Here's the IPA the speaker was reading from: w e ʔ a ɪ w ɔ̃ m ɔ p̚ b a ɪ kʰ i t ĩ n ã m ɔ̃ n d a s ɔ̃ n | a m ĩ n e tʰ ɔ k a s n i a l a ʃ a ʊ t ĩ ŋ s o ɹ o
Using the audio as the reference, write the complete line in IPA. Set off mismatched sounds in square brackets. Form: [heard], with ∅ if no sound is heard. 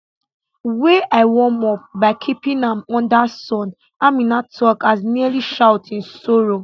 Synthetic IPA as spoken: w e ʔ a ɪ w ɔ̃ m ɔ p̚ b a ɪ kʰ i [p] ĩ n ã m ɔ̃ n d a s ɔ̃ n | a m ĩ n [a] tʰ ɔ k a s n i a l [i] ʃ a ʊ t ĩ [n] s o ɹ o